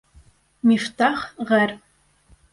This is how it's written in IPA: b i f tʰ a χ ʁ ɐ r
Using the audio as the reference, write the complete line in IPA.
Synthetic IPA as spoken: m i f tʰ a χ ʁ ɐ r